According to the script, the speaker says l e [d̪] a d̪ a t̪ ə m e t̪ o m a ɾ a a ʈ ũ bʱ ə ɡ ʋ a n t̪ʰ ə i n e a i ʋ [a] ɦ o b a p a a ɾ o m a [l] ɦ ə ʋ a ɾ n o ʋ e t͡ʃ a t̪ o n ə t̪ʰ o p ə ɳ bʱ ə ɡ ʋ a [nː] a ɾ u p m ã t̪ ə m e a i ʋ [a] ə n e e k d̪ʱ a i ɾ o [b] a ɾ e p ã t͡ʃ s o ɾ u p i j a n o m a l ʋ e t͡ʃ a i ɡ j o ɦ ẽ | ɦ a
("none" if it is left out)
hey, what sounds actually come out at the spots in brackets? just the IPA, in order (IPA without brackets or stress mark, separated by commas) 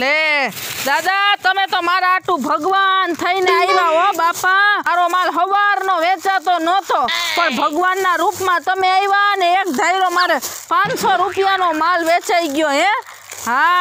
d̪, a, l, nː, a, m